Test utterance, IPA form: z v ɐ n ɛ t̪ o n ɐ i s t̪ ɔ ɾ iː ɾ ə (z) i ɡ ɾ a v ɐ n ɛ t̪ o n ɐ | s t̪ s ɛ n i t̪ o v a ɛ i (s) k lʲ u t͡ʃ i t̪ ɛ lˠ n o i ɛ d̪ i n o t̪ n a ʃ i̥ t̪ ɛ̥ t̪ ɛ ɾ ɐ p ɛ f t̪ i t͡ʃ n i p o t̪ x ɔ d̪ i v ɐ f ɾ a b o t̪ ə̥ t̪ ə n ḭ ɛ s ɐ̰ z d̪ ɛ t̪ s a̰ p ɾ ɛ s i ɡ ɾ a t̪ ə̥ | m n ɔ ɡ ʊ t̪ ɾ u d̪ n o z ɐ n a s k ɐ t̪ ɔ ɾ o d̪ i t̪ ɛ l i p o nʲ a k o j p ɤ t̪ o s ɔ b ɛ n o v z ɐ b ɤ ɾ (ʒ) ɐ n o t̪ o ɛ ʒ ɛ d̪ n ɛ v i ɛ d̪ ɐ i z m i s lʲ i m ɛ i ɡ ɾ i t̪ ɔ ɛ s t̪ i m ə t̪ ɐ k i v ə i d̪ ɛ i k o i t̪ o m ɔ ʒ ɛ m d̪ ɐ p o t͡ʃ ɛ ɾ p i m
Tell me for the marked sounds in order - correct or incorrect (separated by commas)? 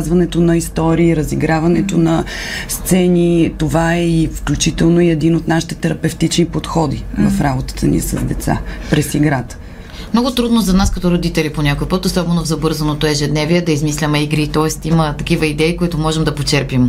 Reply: correct, incorrect, incorrect